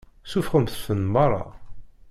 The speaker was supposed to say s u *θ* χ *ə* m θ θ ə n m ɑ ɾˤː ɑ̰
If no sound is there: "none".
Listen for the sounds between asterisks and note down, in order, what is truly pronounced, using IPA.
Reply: f, ə

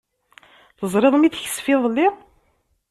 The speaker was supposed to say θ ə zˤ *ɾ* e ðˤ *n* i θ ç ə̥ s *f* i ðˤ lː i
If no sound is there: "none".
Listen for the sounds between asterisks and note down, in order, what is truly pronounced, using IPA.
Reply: ɾ, m, f

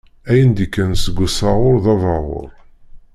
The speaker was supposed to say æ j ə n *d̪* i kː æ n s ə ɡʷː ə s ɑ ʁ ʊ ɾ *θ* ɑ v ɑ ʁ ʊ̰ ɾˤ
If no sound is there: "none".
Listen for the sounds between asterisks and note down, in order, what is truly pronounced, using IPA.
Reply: d̪, ð

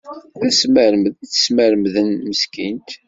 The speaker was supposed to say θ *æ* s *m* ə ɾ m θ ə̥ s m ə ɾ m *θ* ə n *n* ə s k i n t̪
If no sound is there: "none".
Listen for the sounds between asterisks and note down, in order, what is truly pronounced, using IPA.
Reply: æ, m, ð, m

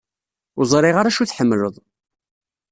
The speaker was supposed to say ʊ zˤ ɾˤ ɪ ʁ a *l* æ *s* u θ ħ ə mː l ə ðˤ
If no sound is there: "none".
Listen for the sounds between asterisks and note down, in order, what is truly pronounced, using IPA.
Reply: ɾ, ʃ

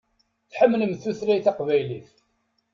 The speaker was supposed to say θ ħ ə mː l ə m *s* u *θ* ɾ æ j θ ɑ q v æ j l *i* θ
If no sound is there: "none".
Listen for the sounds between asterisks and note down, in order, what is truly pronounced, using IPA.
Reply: θ, θ, i

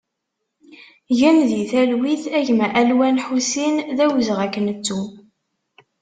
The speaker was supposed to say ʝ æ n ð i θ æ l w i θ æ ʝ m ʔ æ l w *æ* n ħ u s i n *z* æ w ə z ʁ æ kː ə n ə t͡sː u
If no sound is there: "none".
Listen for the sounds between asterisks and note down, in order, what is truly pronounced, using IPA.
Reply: æ, ð

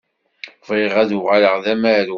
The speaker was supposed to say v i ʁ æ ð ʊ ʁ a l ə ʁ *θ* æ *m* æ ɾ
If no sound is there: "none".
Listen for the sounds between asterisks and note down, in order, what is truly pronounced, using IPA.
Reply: ð, m

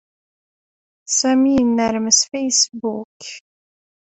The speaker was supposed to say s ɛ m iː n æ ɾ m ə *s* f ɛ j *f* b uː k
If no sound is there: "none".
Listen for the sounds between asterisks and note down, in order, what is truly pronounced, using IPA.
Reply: s, s

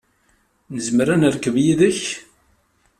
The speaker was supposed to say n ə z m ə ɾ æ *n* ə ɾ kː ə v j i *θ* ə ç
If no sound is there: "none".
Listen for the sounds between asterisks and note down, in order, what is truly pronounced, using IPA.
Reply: n, ð

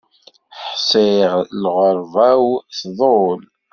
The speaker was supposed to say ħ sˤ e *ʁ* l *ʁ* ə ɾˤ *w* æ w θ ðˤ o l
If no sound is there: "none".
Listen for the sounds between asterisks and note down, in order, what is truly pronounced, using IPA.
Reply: ʁ, ʁ, v

